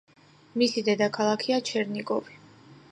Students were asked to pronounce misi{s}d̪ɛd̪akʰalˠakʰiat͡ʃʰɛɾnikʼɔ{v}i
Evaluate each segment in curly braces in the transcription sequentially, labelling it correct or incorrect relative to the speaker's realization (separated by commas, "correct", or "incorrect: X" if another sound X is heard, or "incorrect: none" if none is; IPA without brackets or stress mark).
incorrect: none, correct